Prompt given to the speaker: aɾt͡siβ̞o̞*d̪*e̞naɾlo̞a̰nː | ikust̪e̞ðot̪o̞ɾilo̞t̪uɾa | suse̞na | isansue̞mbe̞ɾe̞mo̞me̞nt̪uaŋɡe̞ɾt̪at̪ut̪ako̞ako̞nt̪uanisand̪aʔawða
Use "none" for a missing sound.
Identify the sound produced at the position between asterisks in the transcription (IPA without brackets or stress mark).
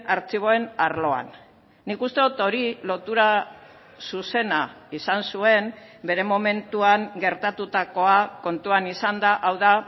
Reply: none